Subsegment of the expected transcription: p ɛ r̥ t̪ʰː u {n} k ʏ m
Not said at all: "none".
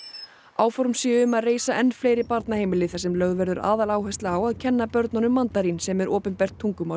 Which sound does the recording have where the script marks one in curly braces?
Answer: ŋ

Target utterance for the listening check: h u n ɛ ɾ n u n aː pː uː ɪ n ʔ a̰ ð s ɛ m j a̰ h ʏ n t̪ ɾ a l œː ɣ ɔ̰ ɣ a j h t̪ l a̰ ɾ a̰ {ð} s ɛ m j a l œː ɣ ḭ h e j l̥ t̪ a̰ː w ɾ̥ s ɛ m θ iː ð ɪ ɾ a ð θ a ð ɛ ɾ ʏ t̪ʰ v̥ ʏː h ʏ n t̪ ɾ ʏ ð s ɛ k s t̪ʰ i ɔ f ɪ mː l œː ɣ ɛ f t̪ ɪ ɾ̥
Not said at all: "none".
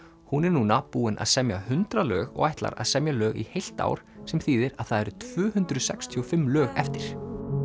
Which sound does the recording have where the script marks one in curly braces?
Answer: ð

